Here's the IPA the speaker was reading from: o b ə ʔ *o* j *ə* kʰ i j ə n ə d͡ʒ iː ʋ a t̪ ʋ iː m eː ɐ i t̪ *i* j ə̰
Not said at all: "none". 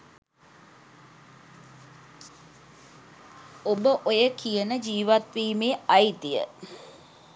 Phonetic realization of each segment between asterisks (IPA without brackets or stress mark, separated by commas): o, ə, i